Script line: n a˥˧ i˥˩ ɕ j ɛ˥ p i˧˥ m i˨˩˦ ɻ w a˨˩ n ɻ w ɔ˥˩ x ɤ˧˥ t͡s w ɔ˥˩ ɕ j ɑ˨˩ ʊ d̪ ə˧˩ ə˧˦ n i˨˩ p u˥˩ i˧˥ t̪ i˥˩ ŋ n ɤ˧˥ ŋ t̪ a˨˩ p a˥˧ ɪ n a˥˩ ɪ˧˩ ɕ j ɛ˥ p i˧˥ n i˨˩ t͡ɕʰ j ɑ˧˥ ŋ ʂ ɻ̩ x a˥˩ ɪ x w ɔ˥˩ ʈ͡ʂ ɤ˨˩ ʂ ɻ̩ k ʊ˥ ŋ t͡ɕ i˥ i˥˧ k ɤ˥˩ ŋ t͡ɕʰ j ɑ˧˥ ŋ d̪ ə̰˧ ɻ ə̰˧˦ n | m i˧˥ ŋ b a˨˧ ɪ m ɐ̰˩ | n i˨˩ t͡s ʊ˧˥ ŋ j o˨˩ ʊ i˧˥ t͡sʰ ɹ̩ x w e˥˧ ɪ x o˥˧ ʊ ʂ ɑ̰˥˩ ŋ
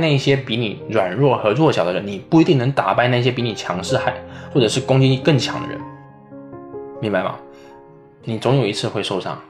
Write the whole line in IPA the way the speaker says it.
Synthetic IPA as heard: n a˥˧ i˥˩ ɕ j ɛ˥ p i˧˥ n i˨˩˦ ɻ w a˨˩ n ɻ w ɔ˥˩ x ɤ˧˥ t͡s w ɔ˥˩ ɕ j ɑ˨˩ ʊ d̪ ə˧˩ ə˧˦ n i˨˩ p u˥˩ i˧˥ t̪ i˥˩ ŋ n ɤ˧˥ ŋ t̪ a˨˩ p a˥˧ ɪ n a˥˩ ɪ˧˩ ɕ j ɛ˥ p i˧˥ n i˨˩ t͡ɕʰ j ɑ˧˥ ŋ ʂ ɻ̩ x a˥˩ ɪ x w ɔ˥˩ ʈ͡ʂ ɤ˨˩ ʂ ɻ̩ k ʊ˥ ŋ t͡ɕ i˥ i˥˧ k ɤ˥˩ ŋ t͡ɕʰ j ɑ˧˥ ŋ d̪ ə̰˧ ɻ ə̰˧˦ n | m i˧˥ ŋ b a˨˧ ɪ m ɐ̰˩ | n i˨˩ t͡s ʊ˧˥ ŋ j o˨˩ ʊ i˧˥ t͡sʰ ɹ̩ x w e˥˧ ɪ ʂ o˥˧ ʊ ʂ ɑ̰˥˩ ŋ